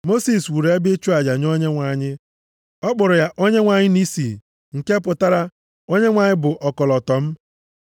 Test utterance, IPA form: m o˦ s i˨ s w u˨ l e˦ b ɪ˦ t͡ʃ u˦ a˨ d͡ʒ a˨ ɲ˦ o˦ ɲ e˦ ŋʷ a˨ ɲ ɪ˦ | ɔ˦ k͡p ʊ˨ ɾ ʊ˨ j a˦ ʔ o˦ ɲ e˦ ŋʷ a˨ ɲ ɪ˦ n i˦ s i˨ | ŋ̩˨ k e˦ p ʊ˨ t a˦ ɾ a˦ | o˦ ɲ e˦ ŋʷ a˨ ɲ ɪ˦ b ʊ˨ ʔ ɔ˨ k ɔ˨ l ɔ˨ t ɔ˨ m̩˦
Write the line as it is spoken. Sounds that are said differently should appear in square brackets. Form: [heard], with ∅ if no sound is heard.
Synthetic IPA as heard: m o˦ s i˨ s w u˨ [ɾ] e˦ b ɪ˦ t͡ʃ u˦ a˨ d͡ʒ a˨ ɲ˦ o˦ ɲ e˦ ŋʷ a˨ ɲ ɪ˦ | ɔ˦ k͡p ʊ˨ ɾ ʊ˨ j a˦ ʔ o˦ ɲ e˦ ŋʷ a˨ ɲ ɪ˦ n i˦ s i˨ | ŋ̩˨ k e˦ p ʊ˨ t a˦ ɾ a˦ | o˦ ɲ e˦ ŋʷ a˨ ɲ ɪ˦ b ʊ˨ ʔ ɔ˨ k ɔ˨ l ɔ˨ t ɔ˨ m̩˦

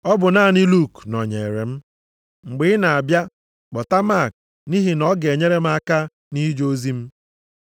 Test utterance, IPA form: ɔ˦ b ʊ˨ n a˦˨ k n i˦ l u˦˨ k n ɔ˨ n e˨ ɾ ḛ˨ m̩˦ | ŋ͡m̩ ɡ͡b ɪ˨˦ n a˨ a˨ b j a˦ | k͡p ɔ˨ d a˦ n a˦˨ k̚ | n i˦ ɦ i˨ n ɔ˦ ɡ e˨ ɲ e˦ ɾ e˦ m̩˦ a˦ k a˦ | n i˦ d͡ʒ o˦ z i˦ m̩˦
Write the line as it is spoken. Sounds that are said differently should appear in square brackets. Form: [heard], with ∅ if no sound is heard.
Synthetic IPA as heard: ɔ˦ b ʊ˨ n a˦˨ [∅] n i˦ l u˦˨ k n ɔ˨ [ɲ] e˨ ɾ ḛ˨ m̩˦ | ŋ͡m̩ ɡ͡b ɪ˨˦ n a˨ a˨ b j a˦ | k͡p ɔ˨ [t] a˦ [m] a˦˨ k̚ | n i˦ ɦ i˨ n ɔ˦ ɡ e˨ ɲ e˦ ɾ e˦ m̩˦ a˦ k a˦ | n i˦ d͡ʒ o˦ z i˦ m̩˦

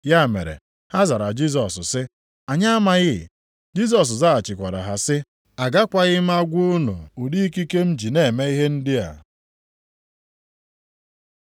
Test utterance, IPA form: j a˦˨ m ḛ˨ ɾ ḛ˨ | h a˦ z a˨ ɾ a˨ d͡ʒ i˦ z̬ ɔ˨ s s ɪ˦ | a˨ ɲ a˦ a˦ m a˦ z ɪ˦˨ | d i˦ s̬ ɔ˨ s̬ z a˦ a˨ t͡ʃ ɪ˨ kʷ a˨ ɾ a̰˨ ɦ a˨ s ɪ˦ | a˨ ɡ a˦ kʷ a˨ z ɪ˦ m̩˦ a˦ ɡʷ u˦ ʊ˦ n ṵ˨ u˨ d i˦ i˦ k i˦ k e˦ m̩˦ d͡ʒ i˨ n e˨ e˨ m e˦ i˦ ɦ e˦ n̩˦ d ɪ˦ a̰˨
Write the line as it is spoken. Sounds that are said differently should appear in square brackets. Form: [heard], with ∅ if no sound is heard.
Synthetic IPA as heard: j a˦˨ m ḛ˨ ɾ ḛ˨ | h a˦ z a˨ ɾ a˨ d͡ʒ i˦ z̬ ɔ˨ s s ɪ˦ | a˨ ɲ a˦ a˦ m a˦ [ɣ] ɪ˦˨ | [d͡ʒ] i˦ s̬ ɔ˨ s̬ z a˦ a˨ t͡ʃ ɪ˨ kʷ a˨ ɾ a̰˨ ɦ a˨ s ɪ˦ | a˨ ɡ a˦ kʷ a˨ [ɣ] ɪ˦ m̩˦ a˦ ɡʷ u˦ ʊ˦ n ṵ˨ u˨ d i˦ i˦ k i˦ k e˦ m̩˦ d͡ʒ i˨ n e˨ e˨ m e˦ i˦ ɦ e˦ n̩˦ d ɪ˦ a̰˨

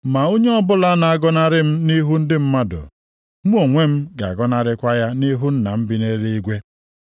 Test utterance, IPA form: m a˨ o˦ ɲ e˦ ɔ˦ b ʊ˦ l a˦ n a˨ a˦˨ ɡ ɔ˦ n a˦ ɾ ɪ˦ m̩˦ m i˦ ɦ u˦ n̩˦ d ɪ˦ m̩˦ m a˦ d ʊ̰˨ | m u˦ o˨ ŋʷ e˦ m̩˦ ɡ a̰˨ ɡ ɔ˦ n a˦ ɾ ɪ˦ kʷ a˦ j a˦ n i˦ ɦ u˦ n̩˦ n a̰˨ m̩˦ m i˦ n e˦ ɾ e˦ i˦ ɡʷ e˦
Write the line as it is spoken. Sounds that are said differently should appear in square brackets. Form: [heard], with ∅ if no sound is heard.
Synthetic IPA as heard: m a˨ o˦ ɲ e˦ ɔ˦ b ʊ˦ l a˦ n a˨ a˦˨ ɡ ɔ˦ n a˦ ɾ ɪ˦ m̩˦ [n] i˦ ɦ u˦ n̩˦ d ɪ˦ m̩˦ m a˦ d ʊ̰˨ | m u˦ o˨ ŋʷ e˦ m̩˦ ɡ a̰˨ ɡ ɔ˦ n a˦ ɾ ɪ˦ kʷ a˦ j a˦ n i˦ ɦ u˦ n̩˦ n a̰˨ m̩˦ [b] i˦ n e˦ ɾ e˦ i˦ ɡʷ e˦

